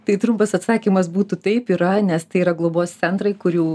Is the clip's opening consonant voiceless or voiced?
voiceless